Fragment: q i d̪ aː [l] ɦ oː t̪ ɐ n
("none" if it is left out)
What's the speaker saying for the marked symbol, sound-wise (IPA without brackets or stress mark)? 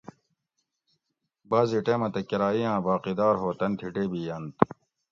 ɾ